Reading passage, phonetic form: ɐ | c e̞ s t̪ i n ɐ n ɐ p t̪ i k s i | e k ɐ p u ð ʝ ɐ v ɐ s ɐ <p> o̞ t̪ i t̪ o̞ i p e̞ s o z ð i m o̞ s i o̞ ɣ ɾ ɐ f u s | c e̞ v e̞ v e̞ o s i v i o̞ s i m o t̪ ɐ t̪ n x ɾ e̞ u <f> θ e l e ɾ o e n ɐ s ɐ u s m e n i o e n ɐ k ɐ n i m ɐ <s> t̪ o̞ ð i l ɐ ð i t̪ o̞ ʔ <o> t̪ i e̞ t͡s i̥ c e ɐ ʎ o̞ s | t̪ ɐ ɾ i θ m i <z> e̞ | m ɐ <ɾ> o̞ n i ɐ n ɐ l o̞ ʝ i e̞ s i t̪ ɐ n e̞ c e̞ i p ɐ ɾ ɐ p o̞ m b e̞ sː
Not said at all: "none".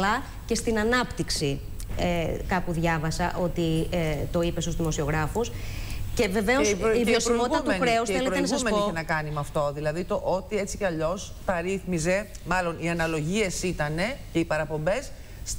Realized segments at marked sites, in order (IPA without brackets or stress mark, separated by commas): ʔ, s, f, o, z, l